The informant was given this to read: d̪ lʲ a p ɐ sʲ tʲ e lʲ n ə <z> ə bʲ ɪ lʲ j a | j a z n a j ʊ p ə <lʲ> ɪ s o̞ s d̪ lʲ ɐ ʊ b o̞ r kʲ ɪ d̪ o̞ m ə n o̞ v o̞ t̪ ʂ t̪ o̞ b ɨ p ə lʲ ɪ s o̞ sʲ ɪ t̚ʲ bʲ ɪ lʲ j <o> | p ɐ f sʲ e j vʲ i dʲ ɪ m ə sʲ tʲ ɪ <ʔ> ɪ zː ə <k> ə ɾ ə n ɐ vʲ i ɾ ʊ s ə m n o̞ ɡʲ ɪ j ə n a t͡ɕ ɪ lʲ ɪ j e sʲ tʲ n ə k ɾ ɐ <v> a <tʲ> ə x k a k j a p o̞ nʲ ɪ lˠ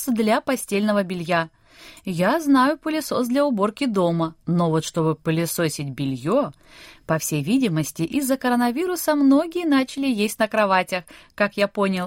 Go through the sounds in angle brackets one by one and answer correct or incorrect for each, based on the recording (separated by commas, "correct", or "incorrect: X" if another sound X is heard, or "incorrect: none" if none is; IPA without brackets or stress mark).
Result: incorrect: v, correct, correct, correct, correct, correct, correct